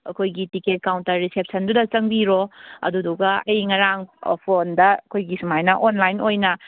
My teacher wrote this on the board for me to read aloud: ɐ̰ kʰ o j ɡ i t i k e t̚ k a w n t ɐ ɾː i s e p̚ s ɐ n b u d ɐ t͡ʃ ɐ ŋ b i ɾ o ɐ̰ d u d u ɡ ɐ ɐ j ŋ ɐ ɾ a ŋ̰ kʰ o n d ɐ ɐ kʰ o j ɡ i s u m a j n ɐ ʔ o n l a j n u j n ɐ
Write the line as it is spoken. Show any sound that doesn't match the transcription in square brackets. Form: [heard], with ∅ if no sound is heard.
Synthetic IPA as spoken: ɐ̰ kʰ o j ɡ i t i k e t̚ k a w n t ɐ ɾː i s e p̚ s ɐ n [d] u d ɐ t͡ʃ ɐ ŋ b i ɾ o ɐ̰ d u d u ɡ ɐ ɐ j ŋ ɐ ɾ a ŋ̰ [pʰ] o n d ɐ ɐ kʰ o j ɡ i s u m a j n ɐ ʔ o n l a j n [o] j n ɐ